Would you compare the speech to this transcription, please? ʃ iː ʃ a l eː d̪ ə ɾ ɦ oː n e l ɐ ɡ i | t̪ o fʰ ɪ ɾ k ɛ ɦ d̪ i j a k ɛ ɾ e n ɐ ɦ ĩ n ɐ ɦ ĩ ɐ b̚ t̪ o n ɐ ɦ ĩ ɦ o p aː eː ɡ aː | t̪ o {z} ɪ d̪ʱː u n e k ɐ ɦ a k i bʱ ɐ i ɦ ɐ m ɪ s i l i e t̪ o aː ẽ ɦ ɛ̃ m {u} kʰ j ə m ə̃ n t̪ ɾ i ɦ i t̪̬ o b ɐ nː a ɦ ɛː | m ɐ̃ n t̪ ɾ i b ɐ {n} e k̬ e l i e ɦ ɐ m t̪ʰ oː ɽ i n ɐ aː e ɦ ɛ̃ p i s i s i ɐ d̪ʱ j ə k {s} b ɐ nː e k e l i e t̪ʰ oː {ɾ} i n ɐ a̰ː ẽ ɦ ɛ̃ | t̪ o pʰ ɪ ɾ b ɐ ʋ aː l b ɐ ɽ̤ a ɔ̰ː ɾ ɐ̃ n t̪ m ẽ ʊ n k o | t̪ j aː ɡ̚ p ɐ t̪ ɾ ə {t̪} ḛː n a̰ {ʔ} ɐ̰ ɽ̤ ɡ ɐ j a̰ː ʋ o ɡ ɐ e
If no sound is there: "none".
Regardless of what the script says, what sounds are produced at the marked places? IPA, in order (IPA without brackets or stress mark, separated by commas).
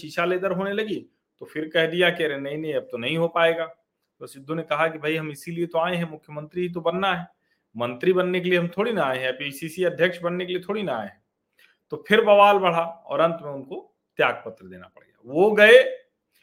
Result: s, ʊ, nː, ʃ, ɽ, d̪, p